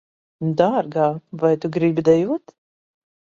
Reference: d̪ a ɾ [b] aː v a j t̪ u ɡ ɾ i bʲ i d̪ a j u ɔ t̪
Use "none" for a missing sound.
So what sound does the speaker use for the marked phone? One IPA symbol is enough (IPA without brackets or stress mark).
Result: ɡ